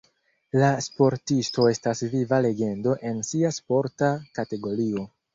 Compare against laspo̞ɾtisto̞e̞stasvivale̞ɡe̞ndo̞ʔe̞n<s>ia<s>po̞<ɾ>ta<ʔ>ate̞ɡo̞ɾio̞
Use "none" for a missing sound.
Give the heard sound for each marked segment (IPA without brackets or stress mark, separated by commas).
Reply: s, s, ɾ, k